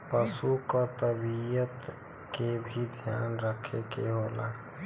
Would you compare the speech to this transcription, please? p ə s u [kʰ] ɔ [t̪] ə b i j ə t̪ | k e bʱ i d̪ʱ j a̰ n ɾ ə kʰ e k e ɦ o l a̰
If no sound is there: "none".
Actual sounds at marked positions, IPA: k, t̪

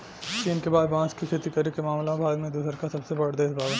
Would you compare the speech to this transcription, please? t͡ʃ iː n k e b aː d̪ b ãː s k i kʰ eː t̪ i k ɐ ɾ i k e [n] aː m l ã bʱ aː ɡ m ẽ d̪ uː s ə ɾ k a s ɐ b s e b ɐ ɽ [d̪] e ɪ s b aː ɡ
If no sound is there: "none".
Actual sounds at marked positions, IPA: m, d̪

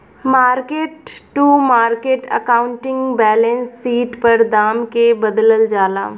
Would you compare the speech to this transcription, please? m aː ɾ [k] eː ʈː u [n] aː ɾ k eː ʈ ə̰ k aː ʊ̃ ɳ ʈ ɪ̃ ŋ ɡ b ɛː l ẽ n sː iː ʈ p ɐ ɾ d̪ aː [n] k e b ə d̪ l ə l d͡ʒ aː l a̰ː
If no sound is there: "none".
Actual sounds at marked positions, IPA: k, m, m

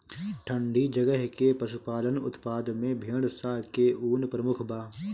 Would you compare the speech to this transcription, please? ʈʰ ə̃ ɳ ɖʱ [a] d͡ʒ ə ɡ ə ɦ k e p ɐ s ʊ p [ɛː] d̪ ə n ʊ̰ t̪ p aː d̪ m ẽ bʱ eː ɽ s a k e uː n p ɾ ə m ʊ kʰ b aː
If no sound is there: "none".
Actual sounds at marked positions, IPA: i, aː

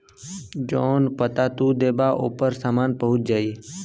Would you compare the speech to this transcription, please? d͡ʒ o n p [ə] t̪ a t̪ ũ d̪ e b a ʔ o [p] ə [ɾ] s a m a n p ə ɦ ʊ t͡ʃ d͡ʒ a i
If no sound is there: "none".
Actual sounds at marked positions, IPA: ə, p, ɾ

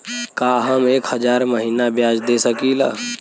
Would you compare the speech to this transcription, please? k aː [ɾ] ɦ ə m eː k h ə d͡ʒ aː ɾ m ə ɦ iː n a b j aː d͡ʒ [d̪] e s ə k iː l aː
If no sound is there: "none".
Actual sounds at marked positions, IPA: none, d̪

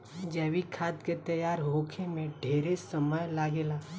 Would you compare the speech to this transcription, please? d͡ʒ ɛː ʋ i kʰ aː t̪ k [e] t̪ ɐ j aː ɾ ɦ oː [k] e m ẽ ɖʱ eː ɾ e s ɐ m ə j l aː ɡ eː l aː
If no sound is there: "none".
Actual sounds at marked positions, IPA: e, kʰ

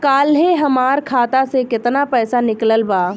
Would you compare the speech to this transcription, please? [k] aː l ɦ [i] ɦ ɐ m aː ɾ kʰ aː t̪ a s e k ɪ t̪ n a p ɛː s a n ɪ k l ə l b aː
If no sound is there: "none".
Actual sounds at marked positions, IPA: k, e

